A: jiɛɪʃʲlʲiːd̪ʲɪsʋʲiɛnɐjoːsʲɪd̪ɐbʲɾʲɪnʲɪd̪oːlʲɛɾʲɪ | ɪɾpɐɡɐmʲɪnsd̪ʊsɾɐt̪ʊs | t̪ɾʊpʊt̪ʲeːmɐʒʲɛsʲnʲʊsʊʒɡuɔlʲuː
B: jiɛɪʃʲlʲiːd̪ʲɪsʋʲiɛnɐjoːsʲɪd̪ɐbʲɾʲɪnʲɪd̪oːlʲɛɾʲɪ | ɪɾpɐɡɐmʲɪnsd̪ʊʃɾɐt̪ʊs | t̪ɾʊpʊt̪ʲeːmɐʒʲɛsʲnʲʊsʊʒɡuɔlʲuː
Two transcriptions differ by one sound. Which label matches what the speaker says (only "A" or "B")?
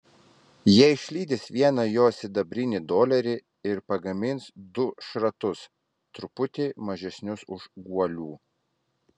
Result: B